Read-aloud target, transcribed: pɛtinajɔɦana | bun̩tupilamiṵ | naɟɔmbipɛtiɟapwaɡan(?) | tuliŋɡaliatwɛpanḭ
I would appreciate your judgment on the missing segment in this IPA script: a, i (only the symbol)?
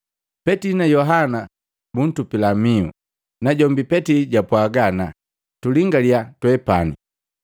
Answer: a